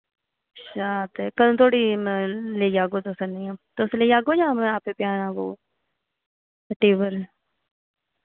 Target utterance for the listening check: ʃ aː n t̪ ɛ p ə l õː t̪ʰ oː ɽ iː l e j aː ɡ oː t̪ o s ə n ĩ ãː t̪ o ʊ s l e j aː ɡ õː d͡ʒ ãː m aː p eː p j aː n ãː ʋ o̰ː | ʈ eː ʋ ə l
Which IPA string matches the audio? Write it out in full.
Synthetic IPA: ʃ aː t̪ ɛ k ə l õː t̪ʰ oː ɽ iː l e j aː ɡ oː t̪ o s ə n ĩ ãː t̪ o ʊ s l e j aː ɡ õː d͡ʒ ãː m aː p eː p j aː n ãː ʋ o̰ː | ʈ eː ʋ ə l